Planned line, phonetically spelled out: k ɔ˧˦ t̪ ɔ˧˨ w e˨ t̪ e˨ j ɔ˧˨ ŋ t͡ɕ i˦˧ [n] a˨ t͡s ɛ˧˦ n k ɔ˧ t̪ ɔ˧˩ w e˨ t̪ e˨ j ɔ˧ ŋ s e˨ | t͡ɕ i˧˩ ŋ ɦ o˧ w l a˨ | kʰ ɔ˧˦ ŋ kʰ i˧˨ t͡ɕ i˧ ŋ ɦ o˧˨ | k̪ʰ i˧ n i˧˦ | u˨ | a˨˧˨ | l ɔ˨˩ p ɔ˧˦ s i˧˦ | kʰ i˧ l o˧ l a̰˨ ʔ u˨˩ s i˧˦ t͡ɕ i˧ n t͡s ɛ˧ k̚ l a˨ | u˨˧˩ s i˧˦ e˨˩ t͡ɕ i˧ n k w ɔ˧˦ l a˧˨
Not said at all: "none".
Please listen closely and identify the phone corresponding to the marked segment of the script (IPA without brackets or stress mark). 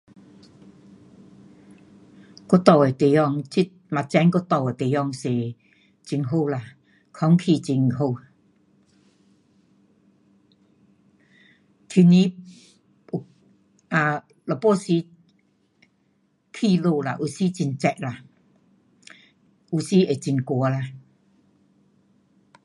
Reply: m